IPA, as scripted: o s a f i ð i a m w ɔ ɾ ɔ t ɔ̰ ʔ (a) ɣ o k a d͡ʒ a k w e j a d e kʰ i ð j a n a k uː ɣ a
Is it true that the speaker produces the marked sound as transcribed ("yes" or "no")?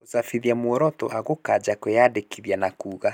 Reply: yes